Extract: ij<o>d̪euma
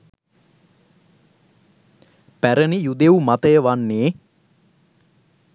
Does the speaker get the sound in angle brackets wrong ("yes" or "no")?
yes